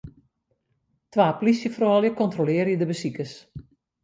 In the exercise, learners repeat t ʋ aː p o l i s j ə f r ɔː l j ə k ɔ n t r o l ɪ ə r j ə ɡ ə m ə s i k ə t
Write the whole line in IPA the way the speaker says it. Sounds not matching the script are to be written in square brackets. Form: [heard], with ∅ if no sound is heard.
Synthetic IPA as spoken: t ʋ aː p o l i s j ə f r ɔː l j ə k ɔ n t r o l ɪ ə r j ə [d] ə [b] ə s i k ə [s]